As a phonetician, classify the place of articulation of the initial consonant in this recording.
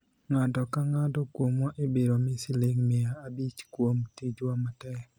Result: velar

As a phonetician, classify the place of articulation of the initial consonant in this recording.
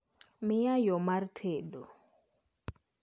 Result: labial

